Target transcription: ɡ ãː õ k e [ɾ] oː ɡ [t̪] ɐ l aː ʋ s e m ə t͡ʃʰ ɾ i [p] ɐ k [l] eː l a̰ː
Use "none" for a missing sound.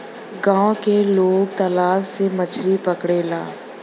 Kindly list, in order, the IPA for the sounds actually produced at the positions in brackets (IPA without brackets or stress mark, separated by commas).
l, t̪, p, ɽ